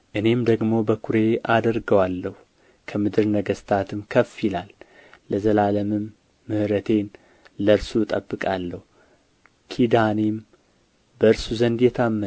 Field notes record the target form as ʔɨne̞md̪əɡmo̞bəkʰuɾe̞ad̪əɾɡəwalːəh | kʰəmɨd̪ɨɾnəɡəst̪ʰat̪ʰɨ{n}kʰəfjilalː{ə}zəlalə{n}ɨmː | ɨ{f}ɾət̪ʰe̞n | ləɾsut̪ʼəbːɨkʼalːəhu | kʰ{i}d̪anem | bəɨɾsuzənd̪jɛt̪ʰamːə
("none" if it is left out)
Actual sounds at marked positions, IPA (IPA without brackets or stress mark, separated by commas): m, ə, m, h, i